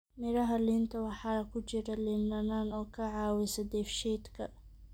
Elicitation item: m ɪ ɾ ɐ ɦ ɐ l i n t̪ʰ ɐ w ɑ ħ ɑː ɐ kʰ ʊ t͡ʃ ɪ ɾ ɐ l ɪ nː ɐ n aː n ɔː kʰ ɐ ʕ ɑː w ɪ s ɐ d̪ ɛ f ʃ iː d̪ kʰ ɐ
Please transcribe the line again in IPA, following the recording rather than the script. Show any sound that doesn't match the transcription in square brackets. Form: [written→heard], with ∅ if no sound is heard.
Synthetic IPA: m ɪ ɾ ɐ ɦ ɐ l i n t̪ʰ ɐ w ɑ ħ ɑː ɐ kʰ ʊ t͡ʃ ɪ ɾ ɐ l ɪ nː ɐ n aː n ɔː kʰ ɐ ʕ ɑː w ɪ s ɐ d̪ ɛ f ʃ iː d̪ kʰ ɐ